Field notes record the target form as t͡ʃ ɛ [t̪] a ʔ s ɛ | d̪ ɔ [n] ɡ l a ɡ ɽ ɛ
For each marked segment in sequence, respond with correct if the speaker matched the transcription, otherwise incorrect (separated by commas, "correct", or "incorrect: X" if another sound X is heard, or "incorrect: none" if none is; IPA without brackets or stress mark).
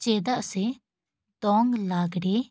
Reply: incorrect: d̪, incorrect: ŋ